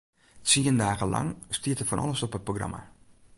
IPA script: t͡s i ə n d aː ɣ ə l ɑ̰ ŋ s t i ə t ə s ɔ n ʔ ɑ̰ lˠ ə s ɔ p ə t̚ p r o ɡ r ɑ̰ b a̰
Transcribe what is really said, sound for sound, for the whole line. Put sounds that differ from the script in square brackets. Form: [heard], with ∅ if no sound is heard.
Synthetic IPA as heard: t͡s i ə n d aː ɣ ə l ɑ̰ ŋ s t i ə t ə [f] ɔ n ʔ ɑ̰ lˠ ə s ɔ p ə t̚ p r o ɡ r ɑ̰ [m] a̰